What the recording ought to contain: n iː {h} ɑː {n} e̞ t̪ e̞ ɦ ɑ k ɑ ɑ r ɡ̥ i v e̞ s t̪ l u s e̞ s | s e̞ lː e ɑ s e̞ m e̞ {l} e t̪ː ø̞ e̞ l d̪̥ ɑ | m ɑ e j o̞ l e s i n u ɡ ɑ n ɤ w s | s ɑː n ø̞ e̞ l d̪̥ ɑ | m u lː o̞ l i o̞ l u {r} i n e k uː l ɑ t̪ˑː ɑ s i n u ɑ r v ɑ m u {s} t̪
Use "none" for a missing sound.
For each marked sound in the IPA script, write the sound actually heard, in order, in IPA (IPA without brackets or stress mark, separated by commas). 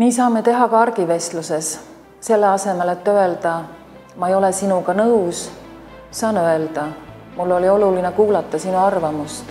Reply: s, m, l, l, s